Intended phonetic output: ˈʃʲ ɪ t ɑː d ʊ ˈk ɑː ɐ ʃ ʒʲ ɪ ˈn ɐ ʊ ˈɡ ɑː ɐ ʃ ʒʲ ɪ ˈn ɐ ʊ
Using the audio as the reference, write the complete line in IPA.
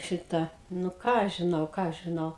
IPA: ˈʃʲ ɪ t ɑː n ʊ ˈk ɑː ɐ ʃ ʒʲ ɪ ˈn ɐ ʊ ˈk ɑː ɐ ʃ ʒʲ ɪ ˈn ɐ ʊ